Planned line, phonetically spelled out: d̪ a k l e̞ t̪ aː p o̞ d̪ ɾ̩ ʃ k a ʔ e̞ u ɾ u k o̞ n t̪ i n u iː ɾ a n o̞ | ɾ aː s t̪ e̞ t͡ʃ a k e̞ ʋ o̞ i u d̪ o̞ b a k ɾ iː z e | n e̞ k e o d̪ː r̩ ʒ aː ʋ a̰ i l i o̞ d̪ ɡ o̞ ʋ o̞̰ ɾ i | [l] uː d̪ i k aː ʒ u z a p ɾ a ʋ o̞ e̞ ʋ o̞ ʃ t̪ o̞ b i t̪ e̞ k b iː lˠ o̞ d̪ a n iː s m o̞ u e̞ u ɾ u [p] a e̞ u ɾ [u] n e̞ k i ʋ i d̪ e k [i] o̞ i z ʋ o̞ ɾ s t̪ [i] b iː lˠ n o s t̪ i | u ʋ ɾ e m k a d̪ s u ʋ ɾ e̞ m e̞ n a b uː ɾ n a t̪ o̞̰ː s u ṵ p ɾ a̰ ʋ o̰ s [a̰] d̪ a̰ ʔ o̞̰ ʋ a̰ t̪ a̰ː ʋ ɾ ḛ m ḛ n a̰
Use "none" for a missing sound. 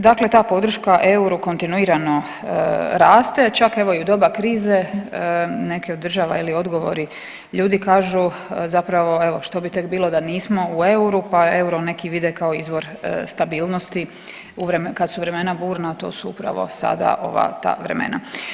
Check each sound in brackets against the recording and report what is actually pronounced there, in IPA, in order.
ʎ, p, o, a, a, a̰

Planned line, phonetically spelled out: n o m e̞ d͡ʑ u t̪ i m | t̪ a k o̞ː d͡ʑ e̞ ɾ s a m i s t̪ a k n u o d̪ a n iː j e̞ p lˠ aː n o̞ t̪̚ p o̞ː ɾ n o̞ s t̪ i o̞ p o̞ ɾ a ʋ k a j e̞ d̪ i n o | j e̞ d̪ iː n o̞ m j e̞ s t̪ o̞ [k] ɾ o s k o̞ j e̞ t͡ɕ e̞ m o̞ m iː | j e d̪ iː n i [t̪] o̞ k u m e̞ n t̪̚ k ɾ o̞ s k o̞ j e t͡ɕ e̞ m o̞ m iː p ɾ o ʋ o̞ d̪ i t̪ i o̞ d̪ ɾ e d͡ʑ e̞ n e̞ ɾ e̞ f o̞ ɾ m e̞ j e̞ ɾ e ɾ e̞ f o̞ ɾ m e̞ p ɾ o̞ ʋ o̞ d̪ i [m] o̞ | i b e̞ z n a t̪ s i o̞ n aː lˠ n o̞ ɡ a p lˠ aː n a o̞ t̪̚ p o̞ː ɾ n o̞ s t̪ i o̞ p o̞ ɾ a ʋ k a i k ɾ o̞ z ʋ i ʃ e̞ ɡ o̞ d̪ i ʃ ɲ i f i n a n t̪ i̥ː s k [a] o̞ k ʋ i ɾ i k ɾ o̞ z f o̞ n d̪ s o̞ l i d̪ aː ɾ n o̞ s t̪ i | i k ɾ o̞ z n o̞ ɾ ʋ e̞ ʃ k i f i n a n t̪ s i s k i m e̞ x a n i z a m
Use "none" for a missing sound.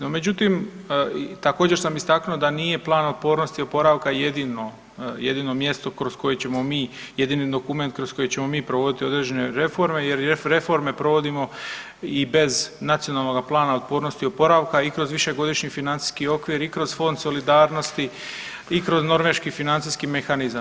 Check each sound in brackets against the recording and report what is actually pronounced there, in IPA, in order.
k, d̪, m, i

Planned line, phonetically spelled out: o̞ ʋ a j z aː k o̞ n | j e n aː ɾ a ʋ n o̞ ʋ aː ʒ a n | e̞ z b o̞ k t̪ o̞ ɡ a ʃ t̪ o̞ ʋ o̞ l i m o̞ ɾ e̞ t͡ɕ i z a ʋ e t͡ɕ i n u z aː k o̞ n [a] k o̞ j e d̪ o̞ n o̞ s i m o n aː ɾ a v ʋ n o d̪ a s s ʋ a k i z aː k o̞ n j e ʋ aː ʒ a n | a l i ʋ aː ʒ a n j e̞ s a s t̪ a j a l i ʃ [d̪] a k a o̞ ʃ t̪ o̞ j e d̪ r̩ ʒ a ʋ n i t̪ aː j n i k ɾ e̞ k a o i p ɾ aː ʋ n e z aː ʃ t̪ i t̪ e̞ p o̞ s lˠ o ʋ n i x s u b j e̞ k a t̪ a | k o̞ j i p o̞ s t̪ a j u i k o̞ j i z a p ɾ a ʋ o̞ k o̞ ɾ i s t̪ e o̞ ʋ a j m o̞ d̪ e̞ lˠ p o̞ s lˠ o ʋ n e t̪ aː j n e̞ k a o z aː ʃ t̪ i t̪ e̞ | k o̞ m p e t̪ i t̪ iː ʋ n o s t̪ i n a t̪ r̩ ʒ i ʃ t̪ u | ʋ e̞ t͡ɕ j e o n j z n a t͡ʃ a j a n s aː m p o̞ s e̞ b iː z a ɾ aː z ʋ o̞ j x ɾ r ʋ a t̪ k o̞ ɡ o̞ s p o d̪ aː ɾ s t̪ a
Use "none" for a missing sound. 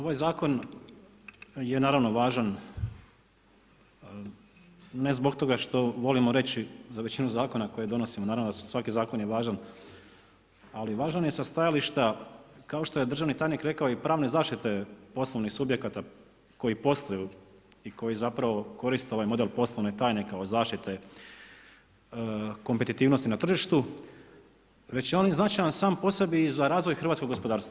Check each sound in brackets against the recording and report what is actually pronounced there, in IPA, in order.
a, t̪

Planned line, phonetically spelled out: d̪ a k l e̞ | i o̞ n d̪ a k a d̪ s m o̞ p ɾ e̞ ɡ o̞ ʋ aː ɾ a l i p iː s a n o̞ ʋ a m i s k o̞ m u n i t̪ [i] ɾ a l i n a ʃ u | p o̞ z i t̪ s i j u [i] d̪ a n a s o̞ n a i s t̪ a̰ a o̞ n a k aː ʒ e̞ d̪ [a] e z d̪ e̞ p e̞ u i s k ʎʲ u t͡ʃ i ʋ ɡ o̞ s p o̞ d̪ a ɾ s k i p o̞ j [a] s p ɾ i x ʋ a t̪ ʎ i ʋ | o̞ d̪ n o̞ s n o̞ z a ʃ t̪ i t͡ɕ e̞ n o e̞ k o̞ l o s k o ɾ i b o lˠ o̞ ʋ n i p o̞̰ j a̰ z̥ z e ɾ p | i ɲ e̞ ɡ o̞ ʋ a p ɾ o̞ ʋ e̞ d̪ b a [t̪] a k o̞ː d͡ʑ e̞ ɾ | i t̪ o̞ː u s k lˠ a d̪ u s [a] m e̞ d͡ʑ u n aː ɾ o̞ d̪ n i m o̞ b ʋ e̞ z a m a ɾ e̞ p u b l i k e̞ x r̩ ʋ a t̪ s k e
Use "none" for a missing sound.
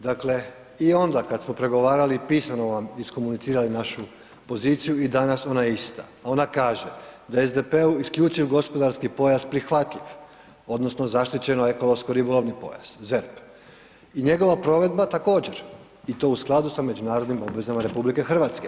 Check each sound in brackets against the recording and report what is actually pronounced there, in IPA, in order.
iː, i, a, a, t̪, a

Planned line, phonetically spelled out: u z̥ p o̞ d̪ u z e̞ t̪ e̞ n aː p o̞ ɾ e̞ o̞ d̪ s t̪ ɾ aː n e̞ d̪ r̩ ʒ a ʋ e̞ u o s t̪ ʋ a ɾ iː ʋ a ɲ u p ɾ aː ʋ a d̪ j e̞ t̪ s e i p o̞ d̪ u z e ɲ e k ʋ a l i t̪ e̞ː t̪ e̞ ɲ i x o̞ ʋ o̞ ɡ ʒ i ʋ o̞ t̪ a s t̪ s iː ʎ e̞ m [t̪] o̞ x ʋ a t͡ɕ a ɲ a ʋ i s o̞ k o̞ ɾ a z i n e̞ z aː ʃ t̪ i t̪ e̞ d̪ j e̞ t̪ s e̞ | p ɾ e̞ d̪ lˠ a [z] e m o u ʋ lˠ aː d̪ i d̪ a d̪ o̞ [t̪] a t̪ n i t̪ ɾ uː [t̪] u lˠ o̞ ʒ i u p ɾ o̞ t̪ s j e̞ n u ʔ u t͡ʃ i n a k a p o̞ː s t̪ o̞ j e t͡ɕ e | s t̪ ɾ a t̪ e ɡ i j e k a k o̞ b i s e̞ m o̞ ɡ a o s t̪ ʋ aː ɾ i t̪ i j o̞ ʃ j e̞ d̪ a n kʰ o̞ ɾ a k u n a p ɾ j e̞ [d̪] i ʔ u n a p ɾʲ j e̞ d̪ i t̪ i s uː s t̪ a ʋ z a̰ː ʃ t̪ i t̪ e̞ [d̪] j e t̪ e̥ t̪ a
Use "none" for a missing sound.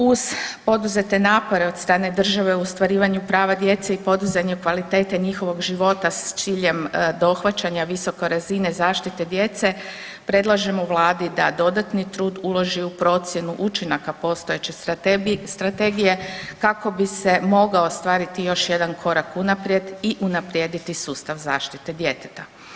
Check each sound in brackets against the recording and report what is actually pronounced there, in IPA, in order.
d̪, ʒ, d̪, d̪, d̪, d̪

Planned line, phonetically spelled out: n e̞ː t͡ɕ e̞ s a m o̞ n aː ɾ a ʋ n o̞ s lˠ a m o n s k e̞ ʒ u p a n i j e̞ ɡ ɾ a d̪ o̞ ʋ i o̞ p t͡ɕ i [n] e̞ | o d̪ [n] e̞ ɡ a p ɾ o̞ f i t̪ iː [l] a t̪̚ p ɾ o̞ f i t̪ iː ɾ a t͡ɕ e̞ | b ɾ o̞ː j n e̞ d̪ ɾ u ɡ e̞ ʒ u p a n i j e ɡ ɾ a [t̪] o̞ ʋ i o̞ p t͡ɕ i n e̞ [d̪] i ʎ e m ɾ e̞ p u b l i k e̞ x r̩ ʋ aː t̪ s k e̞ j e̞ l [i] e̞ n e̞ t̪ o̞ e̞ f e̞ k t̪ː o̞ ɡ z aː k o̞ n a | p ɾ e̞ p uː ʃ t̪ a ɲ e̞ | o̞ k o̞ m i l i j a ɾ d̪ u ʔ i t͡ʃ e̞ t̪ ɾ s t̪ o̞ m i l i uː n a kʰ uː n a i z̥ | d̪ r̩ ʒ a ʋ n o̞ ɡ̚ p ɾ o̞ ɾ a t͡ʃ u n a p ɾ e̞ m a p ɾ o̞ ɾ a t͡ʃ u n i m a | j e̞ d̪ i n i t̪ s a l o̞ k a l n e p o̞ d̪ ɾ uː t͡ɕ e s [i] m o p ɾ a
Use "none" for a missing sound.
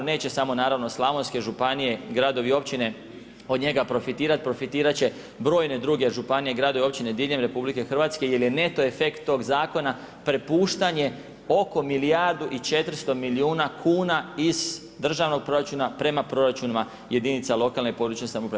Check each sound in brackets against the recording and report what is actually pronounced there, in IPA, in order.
n, ɲ, ɾ, d̪, d̪, j, a

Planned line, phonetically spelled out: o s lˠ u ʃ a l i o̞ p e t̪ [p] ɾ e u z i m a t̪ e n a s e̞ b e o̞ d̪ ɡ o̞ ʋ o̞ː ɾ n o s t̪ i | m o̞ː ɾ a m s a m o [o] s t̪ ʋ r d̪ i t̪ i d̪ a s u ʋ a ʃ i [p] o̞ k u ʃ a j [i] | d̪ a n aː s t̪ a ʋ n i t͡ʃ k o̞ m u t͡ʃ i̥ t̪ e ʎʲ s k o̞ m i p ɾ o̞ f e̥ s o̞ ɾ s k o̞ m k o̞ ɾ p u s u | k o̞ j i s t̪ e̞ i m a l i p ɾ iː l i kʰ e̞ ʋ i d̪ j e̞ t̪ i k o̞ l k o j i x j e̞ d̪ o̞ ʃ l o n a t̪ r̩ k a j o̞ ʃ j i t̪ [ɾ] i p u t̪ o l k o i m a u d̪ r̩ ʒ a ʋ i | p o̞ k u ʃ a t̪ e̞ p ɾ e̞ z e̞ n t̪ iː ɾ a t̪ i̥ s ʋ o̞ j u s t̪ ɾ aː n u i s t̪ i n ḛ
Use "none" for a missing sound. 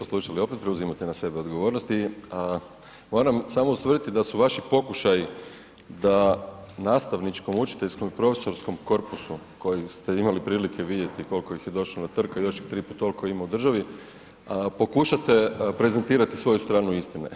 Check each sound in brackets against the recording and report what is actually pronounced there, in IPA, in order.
p, u, p, i, ɾ

